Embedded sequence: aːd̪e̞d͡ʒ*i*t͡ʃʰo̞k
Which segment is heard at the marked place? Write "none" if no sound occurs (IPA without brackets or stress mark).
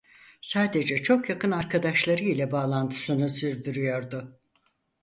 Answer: ɛ